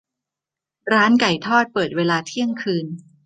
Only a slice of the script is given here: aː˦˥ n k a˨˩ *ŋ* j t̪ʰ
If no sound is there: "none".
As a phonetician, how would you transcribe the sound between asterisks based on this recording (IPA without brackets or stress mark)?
none